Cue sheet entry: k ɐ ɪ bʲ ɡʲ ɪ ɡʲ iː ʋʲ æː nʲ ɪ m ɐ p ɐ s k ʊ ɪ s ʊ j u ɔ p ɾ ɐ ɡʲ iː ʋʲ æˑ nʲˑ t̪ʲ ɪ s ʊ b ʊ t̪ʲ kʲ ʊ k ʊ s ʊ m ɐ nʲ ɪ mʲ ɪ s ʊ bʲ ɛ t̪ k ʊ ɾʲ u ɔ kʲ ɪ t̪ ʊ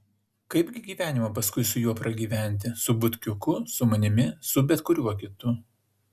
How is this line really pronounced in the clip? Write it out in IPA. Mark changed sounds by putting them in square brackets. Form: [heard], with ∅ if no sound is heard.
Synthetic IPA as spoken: k ɐ ɪ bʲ ɡʲ ɪ ɡʲ iː ʋʲ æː nʲ ɪ m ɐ p ɐ s k ʊ ɪ s ʊ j u ɔ p ɾ ɐ ɡʲ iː ʋʲ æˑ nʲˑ t̪ʲ ɪ s ʊ b ʊ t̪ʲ kʲ ʊ k ʊ s ʊ m ɐ nʲ ɪ mʲ ɪ s ʊ bʲ ɛ t̪ k ʊ ɾʲ u ɔ kʲ ɪ t̪ ʊ